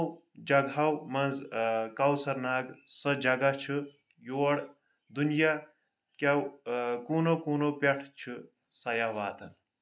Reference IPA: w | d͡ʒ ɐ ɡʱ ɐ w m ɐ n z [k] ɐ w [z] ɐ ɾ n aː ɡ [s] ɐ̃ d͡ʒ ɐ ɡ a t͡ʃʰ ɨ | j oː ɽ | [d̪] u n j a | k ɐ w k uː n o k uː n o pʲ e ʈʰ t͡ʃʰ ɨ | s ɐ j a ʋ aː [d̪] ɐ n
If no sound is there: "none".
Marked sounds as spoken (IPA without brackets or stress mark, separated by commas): k, s, s, d̪, t̪